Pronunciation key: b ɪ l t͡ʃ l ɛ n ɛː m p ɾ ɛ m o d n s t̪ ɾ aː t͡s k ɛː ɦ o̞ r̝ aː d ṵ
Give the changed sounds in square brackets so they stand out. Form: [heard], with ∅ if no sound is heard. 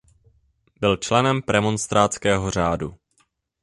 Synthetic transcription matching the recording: b ɪ l t͡ʃ l ɛ n [ɛ] m p ɾ ɛ m o [∅] n s t̪ ɾ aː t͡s k ɛː ɦ o̞ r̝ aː d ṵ